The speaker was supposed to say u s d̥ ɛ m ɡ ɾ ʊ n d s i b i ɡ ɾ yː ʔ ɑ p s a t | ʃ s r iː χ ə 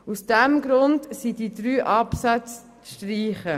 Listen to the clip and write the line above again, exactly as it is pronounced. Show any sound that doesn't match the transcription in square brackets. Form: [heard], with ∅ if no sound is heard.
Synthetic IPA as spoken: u s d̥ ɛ m ɡ ɾ ʊ n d s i [d] i [d] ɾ yː ʔ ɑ p s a [t͡s] | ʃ [t] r iː χ ə